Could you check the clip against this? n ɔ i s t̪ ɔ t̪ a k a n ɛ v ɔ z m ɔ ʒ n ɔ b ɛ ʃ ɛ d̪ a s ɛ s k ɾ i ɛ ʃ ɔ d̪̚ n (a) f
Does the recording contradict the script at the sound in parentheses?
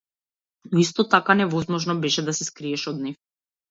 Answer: yes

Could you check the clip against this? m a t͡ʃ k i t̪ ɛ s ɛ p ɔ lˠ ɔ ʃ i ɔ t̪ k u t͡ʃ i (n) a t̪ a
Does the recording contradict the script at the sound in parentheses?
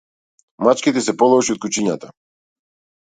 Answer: yes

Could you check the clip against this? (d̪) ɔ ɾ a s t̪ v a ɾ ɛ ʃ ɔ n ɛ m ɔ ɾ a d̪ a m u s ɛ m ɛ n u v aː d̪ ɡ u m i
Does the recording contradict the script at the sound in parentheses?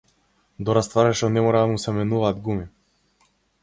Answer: no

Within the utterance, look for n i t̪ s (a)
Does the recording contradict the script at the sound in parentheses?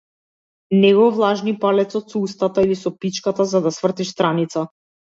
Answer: no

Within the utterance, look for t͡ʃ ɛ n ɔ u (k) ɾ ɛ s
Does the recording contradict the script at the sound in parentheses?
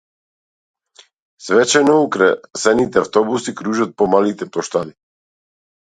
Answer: no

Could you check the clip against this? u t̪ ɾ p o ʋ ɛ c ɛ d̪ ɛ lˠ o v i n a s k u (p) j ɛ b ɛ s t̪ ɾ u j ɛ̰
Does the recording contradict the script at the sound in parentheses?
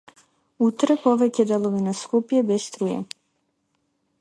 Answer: no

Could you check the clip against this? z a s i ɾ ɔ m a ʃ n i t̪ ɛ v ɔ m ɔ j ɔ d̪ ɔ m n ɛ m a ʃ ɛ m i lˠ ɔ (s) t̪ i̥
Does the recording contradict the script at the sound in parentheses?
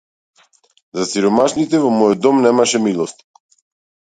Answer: no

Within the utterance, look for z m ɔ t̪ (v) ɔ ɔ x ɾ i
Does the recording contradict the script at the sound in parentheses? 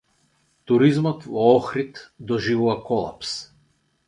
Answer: no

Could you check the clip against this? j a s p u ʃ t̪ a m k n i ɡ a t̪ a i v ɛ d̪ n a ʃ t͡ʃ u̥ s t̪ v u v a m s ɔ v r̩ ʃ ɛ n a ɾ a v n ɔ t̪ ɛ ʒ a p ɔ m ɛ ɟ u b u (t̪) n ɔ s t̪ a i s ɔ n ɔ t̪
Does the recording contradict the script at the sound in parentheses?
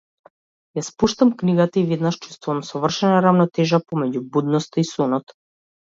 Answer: yes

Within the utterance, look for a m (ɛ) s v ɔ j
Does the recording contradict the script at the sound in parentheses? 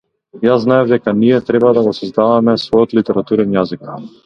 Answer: no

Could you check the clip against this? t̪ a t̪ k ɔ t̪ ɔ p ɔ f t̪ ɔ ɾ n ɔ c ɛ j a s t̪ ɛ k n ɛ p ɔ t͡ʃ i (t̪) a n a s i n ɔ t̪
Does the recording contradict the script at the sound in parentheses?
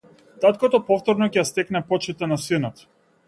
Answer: no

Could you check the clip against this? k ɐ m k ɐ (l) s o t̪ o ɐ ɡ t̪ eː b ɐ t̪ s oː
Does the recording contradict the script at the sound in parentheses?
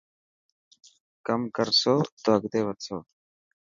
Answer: yes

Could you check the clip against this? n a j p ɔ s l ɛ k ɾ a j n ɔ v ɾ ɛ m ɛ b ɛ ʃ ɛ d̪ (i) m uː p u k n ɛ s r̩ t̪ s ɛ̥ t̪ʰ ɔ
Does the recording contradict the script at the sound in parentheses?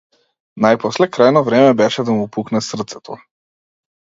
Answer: yes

